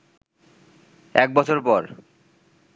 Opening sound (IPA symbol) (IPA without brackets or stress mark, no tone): ɛ